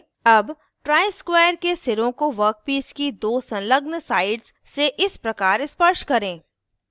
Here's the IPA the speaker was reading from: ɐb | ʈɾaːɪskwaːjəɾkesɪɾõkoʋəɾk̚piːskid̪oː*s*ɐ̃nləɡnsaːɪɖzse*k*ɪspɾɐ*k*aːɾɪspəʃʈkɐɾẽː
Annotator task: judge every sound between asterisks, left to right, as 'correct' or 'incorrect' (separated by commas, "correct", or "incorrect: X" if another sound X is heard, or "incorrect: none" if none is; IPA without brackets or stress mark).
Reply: correct, incorrect: ʔ, correct